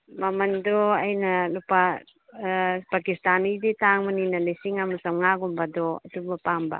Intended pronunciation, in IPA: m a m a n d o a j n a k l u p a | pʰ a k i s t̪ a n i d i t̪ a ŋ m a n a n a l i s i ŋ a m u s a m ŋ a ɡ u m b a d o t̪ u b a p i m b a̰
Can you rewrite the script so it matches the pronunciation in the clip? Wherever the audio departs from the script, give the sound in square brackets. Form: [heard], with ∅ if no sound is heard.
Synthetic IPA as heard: m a m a n d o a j n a [∅] l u p a | [p] a k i s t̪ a n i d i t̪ a ŋ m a n [i] n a l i s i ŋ a m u s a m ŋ a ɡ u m b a d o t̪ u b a p [a] m b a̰